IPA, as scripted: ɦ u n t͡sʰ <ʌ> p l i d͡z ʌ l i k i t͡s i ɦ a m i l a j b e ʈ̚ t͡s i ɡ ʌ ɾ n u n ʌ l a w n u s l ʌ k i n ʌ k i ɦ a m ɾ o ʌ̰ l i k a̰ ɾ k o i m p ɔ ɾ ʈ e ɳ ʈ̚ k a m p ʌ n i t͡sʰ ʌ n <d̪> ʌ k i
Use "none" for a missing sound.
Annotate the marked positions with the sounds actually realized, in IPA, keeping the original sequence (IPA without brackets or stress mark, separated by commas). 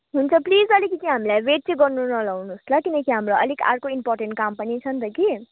ʌ, t̪